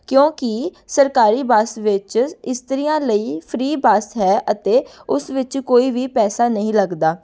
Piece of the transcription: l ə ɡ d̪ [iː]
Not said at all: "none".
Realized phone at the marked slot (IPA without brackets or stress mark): aː